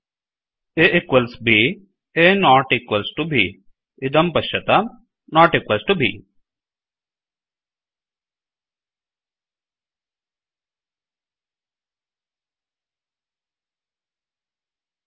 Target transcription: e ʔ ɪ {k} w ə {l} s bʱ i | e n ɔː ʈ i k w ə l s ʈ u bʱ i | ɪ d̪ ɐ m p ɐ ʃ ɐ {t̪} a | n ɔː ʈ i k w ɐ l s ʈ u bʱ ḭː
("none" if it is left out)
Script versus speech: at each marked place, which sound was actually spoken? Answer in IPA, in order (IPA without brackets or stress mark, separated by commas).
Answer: k, l, t̪